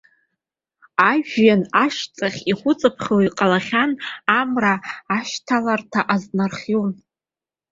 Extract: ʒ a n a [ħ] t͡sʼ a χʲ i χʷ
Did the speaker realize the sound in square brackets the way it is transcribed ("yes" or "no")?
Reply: no